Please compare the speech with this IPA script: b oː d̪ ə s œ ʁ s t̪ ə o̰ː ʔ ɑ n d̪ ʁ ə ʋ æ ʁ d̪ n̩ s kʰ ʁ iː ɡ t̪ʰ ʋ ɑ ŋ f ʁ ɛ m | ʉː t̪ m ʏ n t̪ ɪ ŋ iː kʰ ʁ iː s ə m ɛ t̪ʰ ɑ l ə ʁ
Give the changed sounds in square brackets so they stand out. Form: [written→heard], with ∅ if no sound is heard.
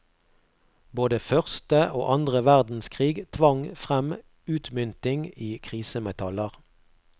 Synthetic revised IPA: b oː d̪ ə [s→f] œ ʁ s t̪ ə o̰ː ʔ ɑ n d̪ ʁ ə ʋ æ ʁ d̪ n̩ s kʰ ʁ iː ɡ t̪ʰ ʋ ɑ ŋ f ʁ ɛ m | ʉː t̪ m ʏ n t̪ ɪ ŋ iː kʰ ʁ iː s ə m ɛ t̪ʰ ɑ l ə ʁ